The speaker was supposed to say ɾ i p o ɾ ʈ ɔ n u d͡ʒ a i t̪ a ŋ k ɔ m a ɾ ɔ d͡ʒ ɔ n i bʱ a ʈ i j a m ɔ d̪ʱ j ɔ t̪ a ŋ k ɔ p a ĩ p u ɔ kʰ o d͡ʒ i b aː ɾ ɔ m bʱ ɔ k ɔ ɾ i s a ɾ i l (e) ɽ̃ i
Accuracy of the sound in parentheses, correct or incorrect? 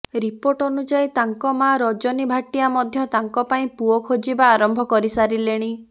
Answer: correct